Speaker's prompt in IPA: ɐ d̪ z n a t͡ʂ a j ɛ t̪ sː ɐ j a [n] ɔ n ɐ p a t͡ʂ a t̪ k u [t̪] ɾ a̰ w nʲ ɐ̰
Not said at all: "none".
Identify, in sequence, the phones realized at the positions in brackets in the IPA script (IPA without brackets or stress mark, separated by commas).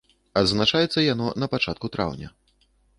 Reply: n, t̪